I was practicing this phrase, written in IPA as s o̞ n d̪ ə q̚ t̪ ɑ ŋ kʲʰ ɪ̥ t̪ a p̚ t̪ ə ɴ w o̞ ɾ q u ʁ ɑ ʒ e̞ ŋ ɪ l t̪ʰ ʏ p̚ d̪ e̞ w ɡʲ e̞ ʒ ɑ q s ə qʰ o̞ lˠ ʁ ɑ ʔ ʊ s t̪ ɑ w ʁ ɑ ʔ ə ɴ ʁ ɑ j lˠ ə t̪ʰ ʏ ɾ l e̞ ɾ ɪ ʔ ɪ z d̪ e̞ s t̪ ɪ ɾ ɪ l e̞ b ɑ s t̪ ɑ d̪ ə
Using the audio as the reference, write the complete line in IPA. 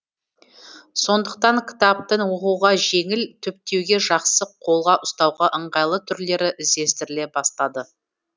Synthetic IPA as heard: s o̞ n d̪ ə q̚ t̪ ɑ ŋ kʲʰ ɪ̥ t̪ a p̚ t̪ ə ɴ w o̞ q u ʁ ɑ ʒ e̞ ŋ ɪ l t̪ʰ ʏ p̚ t̪ e̞ w ɡʲ e̞ ʒ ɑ q s ə qʰ o̞ lˠ ʁ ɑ ʔ ʊ s t̪ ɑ w ʁ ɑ ʔ ə ɴ ʁ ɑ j lˠ ə t̪ʰ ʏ ɾ l e̞ ɾ ɪ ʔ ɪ z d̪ e̞ s t̪ ɪ ɾ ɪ l e̞ b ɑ s t̪ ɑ d̪ ə